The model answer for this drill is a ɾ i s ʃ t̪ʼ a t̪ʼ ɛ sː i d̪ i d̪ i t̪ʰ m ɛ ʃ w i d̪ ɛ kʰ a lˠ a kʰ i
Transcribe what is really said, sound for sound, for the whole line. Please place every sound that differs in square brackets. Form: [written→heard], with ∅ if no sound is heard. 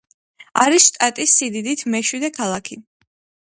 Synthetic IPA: a ɾ i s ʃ t̪ʼ a t̪ʼ [ɛ→i] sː i d̪ i d̪ i t̪ʰ m ɛ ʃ w i d̪ ɛ kʰ a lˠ a kʰ i